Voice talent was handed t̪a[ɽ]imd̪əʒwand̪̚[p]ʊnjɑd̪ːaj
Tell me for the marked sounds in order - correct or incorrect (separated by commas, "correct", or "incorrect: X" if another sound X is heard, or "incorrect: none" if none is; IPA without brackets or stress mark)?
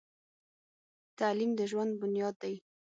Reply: incorrect: l, incorrect: b